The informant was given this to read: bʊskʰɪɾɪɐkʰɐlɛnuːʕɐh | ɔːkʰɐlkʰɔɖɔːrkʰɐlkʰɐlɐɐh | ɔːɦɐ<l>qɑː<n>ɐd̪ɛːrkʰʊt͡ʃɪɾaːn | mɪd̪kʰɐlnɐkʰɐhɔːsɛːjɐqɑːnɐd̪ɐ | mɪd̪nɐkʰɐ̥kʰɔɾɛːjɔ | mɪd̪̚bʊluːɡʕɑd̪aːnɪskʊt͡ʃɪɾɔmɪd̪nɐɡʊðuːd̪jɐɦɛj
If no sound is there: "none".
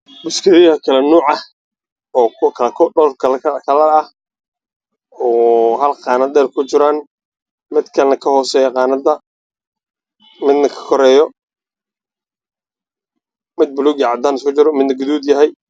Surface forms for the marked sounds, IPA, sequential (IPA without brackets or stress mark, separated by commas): l, n